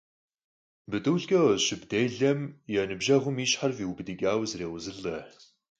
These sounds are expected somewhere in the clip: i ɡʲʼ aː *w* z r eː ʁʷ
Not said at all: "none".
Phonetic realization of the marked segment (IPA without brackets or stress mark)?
w